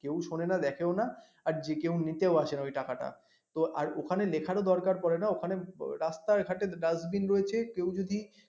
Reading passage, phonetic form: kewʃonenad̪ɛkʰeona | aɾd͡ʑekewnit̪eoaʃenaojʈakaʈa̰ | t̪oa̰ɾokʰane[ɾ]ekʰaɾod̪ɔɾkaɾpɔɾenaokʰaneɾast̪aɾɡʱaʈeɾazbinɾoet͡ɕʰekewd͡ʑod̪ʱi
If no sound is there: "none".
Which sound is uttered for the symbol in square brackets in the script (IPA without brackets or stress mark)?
l